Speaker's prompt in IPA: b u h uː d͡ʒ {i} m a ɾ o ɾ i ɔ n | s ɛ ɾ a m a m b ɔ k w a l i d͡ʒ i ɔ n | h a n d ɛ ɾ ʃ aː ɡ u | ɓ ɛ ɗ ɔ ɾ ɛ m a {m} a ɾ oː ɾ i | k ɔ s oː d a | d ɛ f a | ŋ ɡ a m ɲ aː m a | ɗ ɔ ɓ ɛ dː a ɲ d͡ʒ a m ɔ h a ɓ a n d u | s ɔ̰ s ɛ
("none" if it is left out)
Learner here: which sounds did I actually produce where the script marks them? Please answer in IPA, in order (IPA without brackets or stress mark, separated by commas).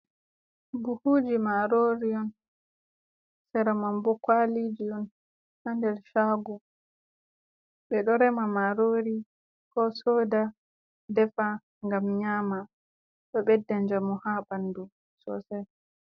i, m